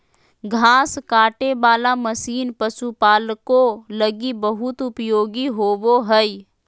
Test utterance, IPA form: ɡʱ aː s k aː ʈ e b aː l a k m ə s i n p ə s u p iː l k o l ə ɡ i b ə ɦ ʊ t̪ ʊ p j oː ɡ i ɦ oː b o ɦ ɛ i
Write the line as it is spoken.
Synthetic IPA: ɡʱ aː s k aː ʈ e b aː l a m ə s iː n p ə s u p aː l k o l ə ɡ i b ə ɦ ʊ t̪ ʊ p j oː ɡ i ɦ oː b o ɦ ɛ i